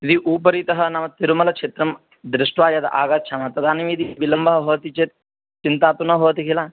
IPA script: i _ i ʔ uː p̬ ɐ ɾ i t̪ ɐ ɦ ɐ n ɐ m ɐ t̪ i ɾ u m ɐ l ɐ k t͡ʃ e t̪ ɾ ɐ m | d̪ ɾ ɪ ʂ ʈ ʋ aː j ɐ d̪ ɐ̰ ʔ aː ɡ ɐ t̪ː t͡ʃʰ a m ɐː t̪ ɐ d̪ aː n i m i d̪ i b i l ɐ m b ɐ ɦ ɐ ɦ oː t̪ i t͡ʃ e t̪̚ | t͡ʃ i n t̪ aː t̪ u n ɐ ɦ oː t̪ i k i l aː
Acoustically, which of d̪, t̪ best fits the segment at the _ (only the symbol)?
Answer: d̪